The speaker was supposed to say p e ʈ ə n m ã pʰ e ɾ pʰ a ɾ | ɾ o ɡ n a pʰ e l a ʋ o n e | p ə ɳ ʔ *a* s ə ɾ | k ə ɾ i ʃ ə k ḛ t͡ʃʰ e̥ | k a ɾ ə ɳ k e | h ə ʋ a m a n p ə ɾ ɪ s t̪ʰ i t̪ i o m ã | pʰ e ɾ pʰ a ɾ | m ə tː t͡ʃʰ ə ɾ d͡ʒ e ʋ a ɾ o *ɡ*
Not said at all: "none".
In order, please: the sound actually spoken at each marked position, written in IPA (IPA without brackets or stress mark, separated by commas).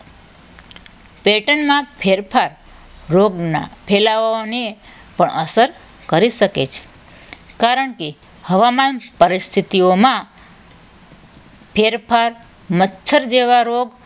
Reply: ə, ɡ